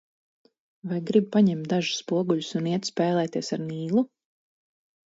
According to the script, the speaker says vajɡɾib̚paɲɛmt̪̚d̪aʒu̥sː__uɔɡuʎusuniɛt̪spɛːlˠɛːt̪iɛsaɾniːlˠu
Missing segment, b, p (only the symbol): p